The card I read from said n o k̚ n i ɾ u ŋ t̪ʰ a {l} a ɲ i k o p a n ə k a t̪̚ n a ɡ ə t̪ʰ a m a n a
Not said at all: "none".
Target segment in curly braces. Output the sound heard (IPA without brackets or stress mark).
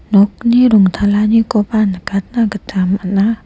l